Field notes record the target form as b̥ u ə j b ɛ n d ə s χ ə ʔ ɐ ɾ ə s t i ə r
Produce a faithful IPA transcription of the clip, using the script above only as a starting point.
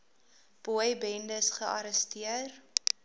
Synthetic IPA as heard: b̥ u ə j b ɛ n d ə s χ ə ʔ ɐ ɾ ə s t i ə r